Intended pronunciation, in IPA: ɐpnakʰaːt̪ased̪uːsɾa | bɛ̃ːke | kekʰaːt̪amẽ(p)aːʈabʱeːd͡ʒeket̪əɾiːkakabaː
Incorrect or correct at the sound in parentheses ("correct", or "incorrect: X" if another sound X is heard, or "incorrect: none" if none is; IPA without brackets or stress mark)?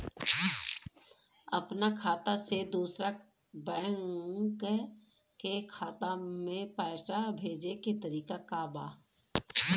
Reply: correct